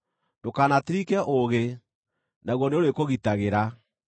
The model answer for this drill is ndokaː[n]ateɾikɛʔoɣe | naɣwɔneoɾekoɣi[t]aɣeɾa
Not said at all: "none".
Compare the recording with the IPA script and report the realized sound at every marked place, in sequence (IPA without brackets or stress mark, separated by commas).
n, t